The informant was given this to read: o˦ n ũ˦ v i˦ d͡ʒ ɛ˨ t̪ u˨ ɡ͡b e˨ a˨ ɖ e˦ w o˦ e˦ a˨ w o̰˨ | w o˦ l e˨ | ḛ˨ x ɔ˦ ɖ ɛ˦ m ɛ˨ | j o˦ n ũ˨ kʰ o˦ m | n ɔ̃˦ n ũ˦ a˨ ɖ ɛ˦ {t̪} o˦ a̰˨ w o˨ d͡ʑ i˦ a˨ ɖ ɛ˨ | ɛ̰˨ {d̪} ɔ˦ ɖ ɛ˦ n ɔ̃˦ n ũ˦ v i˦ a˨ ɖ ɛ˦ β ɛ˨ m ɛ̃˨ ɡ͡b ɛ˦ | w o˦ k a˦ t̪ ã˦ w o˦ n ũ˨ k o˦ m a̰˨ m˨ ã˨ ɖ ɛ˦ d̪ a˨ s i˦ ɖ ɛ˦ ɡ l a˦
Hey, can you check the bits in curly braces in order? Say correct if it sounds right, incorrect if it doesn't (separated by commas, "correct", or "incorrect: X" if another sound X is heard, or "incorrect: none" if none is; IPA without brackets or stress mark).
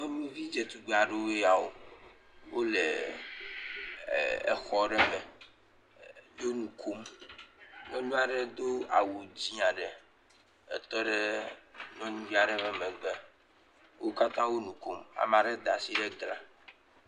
incorrect: d̪, incorrect: t̪